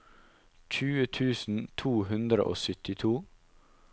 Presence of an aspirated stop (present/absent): present